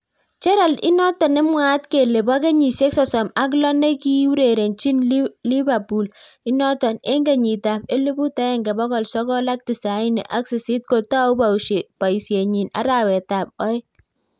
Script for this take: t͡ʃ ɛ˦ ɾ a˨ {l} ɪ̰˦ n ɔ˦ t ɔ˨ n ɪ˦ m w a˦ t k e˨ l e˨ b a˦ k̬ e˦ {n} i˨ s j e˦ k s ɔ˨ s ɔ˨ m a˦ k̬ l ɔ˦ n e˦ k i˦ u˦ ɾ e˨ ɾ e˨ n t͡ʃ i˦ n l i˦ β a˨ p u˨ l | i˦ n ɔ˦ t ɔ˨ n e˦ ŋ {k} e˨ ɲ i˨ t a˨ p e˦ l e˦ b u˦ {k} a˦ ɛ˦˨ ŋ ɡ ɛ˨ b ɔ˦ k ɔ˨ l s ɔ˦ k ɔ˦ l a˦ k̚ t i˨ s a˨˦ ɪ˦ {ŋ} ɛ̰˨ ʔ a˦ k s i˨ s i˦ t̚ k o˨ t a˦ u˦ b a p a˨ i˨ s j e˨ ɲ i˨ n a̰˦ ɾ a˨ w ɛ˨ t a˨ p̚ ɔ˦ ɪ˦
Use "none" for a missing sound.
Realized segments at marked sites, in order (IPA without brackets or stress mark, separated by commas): l, ɲ, ɡ, t, n